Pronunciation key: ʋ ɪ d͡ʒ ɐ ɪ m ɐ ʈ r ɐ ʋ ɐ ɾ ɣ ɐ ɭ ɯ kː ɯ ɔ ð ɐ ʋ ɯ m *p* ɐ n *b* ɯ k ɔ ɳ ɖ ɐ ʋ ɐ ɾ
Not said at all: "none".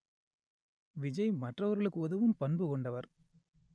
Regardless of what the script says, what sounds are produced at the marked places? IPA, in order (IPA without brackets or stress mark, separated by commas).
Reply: p, b